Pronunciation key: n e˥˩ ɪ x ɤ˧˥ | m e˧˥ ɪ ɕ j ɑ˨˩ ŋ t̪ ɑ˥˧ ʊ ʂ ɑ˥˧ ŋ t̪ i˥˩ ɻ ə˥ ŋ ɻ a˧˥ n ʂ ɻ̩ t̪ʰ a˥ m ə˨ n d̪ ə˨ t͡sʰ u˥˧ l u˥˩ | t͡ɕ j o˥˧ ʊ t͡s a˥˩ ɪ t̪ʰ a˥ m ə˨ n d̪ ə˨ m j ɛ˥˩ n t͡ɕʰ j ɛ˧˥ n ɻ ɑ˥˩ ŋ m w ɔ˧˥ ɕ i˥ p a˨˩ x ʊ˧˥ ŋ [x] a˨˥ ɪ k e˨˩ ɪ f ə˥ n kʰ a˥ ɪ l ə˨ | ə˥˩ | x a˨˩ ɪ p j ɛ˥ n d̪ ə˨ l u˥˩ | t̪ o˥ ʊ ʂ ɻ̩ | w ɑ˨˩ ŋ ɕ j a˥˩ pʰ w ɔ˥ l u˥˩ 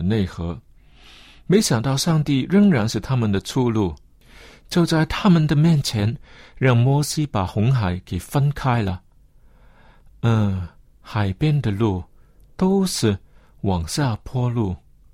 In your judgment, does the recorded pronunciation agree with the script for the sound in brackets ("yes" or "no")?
yes